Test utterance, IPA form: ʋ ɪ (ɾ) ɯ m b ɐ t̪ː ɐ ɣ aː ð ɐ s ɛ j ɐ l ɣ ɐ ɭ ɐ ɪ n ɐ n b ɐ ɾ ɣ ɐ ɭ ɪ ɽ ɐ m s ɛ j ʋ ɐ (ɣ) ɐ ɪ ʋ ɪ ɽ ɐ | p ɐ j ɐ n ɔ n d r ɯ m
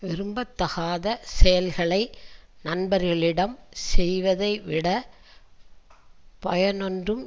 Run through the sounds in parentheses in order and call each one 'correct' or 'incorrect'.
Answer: correct, incorrect

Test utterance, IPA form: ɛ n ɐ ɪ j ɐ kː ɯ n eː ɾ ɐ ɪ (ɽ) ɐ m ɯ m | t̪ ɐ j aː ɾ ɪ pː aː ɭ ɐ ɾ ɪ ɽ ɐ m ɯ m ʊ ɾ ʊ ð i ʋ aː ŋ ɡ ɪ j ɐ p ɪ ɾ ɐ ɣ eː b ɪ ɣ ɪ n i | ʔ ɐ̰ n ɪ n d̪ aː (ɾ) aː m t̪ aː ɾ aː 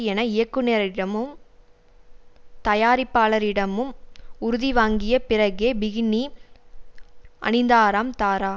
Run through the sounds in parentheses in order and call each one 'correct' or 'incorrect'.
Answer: correct, correct

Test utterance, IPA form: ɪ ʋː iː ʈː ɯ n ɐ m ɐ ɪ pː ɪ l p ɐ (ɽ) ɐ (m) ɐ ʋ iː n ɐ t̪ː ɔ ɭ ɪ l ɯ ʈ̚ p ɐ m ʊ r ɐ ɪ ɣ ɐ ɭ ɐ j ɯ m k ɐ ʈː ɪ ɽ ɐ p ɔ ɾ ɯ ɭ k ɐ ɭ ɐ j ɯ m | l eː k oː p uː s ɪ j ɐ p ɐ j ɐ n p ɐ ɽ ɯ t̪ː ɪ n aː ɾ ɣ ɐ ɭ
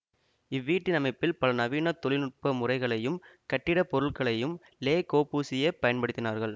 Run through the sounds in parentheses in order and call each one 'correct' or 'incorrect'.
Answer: incorrect, incorrect

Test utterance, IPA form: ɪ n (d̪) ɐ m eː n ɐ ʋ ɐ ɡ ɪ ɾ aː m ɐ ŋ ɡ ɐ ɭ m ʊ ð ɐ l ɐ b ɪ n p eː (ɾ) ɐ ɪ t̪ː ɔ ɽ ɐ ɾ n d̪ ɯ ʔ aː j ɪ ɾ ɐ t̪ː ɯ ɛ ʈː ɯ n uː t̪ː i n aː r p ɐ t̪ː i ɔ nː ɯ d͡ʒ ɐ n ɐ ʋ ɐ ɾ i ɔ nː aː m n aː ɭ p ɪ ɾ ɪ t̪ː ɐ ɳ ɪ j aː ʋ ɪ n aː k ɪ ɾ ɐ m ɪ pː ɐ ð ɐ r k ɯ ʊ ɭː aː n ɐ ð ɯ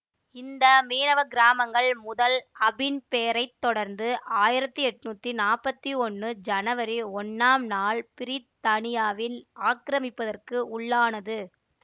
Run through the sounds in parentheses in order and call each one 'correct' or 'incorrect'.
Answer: correct, correct

